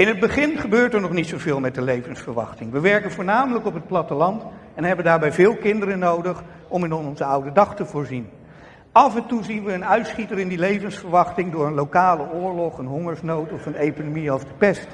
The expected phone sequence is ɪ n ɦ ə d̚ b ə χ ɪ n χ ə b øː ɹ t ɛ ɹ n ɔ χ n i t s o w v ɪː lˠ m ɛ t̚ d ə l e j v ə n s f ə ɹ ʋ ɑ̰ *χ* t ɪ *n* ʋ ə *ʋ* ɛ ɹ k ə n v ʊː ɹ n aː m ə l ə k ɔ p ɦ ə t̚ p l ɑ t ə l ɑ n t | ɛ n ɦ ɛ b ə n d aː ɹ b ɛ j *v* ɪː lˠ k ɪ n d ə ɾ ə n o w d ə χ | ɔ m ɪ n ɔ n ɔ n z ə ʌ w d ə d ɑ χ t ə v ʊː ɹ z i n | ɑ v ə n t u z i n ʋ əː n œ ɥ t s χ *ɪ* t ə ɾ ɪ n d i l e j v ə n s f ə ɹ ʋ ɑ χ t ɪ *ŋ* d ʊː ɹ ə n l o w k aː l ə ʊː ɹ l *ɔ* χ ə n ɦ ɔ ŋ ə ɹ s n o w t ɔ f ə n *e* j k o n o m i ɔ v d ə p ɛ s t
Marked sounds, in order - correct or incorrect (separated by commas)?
correct, incorrect, correct, correct, incorrect, correct, correct, correct